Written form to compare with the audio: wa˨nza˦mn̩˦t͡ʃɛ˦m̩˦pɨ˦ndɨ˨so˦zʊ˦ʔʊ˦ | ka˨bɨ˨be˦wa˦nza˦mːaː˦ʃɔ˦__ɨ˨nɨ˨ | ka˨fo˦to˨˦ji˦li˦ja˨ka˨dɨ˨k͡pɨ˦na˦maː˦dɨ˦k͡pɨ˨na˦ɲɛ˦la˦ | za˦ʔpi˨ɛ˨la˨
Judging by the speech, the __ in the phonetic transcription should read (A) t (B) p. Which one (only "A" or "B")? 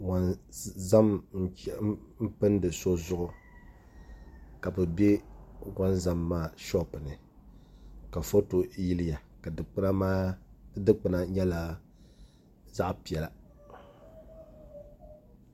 B